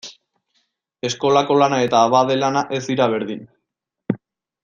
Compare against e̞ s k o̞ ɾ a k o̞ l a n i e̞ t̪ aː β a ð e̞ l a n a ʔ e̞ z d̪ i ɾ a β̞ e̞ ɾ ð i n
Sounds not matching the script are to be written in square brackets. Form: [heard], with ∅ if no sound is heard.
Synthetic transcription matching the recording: e̞ s k o̞ [l] a k o̞ l a n [a] e̞ t̪ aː β a ð e̞ l a n a ʔ e̞ z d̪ i ɾ a β̞ e̞ ɾ ð i n